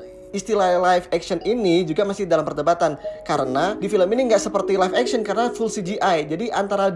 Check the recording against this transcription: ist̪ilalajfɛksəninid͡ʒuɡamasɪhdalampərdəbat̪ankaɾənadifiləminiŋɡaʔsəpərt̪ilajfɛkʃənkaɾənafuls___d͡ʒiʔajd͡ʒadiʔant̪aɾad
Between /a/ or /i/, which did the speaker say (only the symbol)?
i